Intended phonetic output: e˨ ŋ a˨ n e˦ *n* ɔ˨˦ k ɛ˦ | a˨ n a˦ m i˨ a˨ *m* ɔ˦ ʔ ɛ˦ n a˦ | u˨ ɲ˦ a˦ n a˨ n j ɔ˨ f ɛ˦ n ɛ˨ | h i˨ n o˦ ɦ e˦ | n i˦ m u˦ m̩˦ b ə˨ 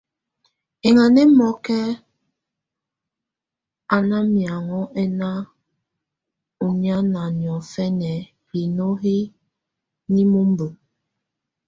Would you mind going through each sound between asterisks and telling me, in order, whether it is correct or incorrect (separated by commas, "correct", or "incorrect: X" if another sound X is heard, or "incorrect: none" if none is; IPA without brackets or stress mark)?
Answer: incorrect: m, incorrect: ŋ